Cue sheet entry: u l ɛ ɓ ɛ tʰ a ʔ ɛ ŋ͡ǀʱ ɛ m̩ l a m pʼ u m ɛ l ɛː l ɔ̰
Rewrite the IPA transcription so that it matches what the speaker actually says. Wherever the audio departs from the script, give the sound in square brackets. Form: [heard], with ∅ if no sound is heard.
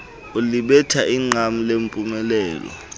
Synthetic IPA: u l [i] ɓ ɛ tʰ a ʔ [i] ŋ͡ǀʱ [a] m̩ l [e] m pʼ u m ɛ l ɛː l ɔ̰